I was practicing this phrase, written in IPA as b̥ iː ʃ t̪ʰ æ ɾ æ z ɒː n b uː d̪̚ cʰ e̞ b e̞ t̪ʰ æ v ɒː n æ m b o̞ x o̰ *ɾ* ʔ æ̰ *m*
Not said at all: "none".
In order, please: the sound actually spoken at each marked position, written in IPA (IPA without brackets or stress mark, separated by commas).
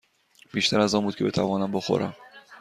ɾ, m